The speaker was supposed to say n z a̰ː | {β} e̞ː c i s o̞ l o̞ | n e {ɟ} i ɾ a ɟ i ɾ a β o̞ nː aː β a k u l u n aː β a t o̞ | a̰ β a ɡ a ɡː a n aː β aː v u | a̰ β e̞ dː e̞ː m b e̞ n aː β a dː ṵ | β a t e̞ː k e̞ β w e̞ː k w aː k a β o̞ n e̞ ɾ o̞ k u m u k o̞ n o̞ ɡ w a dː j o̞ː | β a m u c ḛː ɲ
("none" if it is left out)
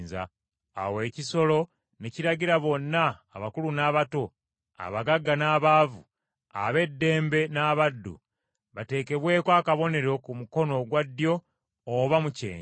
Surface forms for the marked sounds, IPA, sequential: w, c

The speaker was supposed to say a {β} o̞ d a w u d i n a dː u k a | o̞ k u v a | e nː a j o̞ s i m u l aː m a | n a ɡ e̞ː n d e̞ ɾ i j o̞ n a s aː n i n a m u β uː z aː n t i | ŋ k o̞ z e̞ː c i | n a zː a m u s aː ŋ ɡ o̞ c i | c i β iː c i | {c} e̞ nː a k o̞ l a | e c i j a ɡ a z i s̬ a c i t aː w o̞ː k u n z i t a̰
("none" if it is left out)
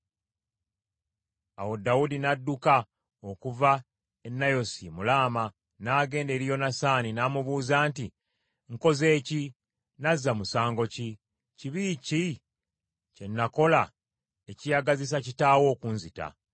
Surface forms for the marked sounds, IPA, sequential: w, c

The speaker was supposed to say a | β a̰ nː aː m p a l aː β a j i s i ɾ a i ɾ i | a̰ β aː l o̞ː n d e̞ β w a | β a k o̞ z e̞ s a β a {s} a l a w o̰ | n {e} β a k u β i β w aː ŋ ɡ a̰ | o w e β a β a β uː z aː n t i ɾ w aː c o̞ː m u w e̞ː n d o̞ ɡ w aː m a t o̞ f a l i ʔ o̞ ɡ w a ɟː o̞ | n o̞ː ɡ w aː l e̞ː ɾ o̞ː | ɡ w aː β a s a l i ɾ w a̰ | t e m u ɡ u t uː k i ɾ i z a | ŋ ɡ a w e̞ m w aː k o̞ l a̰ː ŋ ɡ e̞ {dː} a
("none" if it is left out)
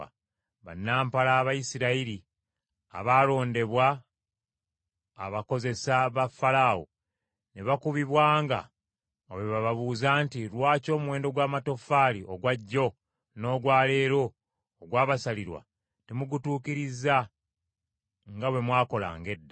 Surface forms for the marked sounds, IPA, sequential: f, e, dː

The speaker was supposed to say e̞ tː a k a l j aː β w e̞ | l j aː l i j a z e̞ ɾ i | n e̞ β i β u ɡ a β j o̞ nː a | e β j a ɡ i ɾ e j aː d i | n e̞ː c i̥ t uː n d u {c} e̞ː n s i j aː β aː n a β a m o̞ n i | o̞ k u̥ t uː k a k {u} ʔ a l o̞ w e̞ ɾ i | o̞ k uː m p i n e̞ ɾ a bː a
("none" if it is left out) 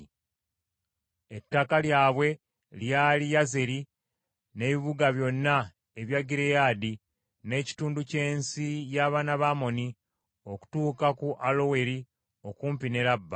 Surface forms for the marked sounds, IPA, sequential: c, u

